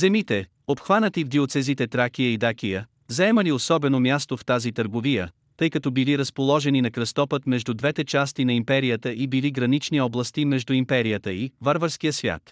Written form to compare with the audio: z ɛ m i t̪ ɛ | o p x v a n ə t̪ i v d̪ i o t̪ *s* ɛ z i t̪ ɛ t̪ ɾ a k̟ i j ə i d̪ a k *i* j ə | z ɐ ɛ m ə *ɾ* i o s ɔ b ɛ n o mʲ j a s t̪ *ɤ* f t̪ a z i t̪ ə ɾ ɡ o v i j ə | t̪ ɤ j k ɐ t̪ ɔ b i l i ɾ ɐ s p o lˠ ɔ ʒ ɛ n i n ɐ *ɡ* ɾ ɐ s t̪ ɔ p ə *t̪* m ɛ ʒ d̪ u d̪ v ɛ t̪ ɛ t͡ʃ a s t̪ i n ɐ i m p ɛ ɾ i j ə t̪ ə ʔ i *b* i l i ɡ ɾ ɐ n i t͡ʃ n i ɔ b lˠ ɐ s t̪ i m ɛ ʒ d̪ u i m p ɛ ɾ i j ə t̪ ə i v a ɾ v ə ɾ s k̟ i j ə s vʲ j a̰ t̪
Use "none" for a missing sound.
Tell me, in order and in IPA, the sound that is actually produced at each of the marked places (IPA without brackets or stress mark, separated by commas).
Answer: s, i, l, o, k, t̪, b